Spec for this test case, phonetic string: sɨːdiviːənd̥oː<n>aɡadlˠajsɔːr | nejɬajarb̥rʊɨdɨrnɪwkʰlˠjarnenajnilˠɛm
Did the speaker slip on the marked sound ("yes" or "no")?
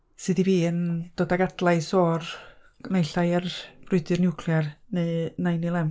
yes